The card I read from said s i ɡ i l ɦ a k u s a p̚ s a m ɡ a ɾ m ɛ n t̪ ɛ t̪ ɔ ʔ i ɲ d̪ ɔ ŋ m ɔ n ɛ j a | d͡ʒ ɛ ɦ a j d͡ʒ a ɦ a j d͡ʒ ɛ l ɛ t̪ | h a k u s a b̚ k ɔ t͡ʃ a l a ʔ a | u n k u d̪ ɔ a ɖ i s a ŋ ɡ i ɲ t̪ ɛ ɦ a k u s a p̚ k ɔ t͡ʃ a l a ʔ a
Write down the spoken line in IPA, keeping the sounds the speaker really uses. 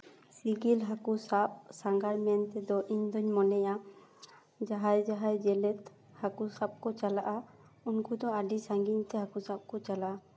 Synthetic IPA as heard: s i ɡ i l ɦ a k u s a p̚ s a ŋ ɡ a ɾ m ɛ n t̪ ɛ d̪ ɔ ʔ i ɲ d̪ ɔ ɲ m ɔ n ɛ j a | d͡ʒ a ɦ a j d͡ʒ a ɦ a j d͡ʒ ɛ l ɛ t̪ | h a k u s a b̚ k ɔ t͡ʃ a l a ʔ a | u n k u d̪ ɔ a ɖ i s a ŋ ɡ i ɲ t̪ ɛ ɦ a k u s a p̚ k ɔ t͡ʃ a l a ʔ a